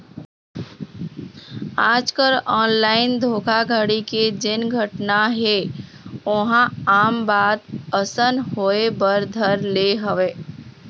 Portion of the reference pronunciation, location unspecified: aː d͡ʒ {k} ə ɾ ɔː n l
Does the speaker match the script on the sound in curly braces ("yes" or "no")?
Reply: yes